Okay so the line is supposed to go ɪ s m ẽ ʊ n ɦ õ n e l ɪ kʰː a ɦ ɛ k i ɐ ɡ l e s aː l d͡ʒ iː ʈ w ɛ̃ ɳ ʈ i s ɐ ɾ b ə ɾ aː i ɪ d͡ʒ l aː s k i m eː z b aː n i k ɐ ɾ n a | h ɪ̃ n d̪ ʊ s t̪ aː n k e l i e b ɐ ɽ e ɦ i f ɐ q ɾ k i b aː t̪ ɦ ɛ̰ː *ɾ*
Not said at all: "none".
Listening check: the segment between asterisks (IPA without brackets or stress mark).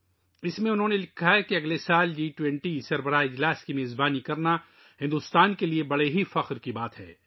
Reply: none